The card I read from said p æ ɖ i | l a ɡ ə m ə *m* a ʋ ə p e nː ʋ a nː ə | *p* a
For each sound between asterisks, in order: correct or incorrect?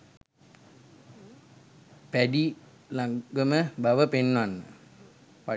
incorrect: b, correct

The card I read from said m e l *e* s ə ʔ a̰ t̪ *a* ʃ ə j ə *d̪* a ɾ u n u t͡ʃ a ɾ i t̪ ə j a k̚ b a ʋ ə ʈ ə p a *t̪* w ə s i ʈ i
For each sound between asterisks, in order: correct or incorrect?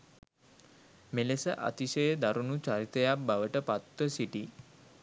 correct, incorrect: i, correct, correct

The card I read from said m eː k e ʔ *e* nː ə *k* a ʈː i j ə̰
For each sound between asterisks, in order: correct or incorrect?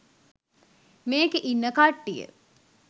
incorrect: i, correct

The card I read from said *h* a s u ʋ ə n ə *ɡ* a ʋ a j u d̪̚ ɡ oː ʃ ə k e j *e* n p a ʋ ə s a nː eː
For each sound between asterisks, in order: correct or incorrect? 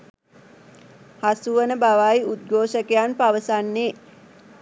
correct, incorrect: b, incorrect: a

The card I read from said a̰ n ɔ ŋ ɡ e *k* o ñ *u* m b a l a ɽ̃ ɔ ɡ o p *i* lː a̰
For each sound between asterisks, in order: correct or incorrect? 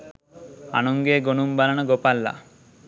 incorrect: ɡ, correct, incorrect: a

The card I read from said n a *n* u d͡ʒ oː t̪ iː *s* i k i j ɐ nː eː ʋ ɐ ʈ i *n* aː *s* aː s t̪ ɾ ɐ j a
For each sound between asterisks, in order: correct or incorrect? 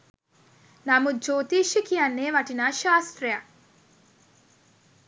incorrect: m, incorrect: ʃ, correct, incorrect: ʃ

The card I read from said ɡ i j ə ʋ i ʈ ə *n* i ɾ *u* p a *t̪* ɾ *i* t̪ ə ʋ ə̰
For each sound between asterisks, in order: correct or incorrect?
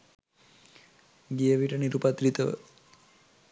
correct, correct, correct, correct

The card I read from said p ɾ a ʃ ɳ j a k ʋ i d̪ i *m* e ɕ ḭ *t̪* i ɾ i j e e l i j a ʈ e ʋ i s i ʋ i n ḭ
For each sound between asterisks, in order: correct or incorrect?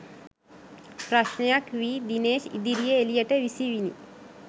incorrect: n, incorrect: d̪

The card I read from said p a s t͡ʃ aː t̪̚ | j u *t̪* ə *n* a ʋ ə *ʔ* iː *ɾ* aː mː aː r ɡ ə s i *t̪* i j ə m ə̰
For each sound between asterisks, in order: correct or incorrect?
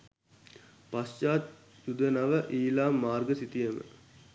incorrect: d̪, correct, correct, incorrect: l, correct

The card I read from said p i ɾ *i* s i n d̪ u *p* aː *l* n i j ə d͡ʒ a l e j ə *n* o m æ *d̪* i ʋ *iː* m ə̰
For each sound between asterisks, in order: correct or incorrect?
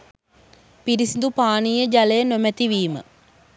correct, correct, incorrect: none, correct, incorrect: t̪, correct

